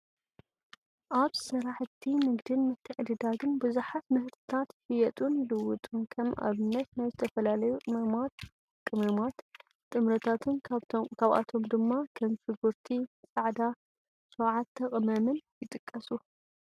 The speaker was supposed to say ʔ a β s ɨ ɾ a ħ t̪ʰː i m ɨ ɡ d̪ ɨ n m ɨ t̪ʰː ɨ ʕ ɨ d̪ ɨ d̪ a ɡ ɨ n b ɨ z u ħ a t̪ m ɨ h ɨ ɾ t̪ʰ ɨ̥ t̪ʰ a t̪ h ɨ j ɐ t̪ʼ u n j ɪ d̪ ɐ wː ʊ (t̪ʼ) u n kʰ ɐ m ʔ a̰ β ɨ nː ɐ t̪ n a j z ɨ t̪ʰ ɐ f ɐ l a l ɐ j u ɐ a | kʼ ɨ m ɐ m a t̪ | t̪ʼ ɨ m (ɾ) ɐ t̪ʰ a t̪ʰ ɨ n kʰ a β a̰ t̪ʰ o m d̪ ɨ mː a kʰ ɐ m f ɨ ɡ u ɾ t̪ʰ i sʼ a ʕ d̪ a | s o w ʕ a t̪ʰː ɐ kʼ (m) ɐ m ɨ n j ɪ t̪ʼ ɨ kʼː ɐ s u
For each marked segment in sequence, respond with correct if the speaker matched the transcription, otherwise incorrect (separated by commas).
correct, correct, correct